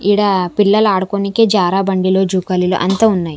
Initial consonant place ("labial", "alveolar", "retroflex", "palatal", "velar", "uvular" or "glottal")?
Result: retroflex